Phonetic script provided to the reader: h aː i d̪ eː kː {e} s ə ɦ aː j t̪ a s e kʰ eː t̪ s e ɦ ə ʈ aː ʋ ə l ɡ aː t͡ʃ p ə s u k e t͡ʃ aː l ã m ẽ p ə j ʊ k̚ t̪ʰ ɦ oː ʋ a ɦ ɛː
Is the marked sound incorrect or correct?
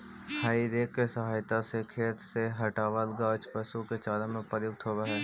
correct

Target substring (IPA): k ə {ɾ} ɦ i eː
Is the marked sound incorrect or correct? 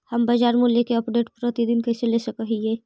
incorrect: none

